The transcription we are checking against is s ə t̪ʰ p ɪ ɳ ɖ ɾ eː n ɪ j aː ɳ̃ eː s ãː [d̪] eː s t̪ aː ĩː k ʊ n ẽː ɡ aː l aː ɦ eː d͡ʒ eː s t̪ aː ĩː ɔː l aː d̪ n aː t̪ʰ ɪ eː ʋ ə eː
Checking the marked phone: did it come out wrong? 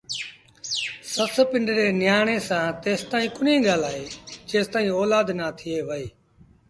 yes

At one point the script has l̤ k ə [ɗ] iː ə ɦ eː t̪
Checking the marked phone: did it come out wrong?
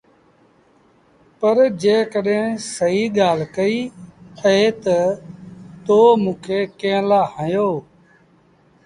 yes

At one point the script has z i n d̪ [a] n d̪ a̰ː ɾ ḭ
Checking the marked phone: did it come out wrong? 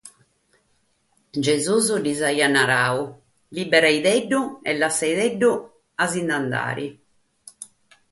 no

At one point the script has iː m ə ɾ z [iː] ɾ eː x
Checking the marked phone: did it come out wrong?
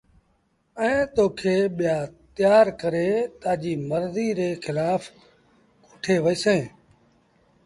no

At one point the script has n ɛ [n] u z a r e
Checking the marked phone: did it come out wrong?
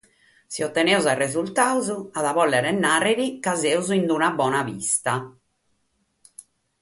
yes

